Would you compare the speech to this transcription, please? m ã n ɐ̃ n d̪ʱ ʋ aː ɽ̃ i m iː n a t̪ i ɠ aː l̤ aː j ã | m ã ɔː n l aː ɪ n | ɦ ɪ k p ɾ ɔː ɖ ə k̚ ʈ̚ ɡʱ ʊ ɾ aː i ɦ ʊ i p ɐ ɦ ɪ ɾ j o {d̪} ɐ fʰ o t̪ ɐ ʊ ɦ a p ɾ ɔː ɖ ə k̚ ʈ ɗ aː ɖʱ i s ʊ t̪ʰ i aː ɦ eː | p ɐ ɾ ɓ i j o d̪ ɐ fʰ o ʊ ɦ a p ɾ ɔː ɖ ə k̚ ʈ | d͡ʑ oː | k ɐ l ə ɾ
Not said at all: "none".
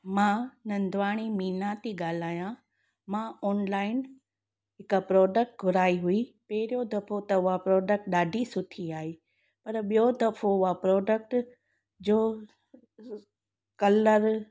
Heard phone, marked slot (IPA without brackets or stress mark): d̪